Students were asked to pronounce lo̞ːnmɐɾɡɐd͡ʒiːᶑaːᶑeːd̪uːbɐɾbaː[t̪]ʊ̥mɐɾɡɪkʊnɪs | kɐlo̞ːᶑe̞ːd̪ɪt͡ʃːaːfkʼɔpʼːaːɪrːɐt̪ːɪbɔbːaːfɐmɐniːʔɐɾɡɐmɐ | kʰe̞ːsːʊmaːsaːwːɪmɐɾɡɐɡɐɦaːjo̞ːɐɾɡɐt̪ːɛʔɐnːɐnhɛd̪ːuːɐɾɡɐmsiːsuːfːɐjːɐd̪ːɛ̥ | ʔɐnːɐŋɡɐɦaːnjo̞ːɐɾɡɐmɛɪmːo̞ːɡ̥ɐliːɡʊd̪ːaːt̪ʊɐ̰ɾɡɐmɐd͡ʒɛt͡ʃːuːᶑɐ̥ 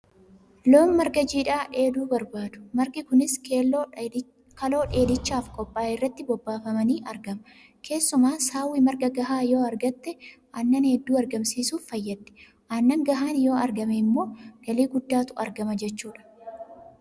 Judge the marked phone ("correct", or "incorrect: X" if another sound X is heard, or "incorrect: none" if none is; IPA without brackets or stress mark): incorrect: d̪